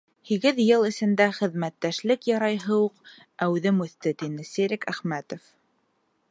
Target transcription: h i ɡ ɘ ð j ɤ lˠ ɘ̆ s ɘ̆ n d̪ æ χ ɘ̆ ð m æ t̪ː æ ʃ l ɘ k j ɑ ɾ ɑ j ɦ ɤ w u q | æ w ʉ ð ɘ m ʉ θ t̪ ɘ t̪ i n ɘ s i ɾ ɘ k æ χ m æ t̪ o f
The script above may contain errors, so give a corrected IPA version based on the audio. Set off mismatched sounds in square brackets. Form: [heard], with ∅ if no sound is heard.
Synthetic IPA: h i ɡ ɘ ð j ɤ lˠ ɘ̆ s ɘ̆ n d̪ æ χ ɘ̆ ð m æ t̪ː æ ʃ l ɘ k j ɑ ɾ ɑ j ɦ ɤ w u q | æ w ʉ ð ɘ m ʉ θ t̪ ɘ t̪ i n ɘ s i ɾ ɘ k æ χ m æ t̪ o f